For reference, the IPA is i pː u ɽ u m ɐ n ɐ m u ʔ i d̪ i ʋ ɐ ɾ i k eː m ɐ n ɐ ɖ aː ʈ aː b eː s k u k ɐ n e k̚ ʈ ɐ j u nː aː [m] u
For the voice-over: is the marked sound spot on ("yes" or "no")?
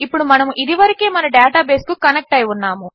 yes